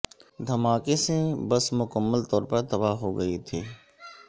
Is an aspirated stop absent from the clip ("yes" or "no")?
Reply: no